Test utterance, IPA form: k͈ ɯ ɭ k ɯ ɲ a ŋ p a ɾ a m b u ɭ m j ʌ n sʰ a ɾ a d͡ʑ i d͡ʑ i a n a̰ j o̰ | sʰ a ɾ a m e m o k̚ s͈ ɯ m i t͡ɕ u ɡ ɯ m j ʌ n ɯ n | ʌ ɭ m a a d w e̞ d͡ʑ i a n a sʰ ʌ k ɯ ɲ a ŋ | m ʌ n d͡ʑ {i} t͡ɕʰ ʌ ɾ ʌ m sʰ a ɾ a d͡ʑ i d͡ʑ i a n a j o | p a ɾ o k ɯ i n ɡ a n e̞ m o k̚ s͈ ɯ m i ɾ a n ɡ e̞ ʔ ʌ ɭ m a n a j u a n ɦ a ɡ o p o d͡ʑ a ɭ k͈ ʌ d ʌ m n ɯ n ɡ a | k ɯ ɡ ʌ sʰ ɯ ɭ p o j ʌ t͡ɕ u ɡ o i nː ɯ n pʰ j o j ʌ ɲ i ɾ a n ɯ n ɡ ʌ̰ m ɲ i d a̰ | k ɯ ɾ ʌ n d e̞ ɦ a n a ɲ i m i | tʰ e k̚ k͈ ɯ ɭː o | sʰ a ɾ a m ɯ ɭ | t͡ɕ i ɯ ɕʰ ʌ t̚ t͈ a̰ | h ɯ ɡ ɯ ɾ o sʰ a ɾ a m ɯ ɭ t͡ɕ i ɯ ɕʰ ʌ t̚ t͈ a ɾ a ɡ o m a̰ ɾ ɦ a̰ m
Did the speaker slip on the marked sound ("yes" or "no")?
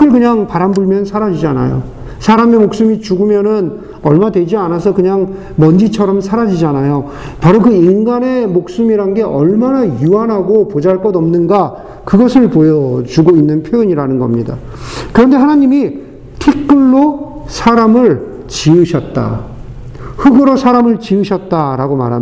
no